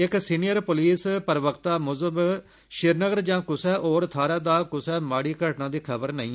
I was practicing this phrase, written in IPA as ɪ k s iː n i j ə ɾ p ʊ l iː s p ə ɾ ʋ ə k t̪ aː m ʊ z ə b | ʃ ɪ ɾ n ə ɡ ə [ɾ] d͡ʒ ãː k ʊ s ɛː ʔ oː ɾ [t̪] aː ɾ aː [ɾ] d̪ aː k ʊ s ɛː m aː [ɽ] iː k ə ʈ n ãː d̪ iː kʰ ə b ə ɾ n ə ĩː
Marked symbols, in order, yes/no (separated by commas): yes, no, no, yes